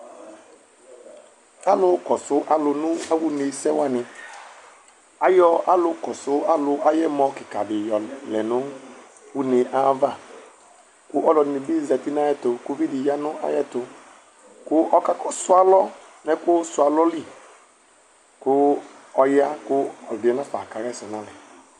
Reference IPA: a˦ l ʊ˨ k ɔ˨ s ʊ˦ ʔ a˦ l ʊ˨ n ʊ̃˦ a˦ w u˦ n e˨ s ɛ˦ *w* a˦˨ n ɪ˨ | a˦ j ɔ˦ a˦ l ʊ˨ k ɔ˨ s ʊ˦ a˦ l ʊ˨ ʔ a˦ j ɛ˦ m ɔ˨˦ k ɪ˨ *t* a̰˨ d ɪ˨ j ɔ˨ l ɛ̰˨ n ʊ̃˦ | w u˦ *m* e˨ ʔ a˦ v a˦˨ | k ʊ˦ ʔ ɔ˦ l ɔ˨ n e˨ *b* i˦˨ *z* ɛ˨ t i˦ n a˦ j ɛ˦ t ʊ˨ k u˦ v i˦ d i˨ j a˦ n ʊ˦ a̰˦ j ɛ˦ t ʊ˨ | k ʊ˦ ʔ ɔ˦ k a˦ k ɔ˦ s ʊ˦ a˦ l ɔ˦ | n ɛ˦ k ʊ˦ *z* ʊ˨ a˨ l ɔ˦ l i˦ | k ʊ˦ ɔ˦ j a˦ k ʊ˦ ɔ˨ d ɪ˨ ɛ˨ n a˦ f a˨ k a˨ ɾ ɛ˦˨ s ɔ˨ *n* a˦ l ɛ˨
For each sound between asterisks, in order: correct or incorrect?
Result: correct, incorrect, incorrect, correct, correct, incorrect, correct

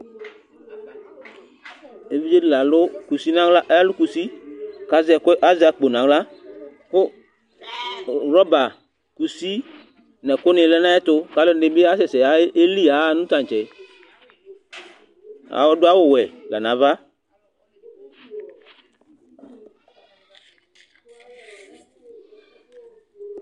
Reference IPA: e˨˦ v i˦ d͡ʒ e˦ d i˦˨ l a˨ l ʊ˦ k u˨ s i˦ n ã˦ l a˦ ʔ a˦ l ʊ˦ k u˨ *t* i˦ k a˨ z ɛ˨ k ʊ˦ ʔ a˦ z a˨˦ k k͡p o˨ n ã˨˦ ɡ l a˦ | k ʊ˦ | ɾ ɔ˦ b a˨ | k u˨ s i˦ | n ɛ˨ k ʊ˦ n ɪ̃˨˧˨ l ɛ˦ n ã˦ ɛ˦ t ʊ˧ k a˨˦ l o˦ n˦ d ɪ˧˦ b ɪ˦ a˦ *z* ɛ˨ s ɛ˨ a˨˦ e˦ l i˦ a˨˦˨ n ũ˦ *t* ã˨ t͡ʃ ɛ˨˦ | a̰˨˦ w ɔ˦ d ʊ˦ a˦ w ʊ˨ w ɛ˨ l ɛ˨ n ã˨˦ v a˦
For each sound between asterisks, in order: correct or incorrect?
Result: incorrect, incorrect, correct

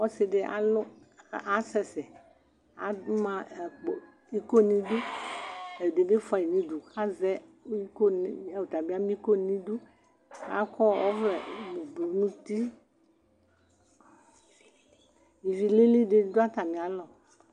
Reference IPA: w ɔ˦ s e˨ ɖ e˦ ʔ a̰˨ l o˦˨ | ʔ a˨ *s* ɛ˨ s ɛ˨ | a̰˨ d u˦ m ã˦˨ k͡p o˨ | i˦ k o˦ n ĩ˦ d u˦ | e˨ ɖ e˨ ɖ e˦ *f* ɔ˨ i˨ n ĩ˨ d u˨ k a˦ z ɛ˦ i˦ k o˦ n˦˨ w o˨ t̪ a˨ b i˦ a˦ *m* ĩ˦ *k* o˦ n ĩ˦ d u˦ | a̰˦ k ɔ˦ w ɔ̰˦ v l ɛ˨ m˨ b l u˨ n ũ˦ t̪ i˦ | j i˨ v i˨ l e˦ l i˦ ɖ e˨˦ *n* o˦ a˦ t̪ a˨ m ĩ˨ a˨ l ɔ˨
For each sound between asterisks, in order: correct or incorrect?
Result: correct, correct, correct, correct, incorrect

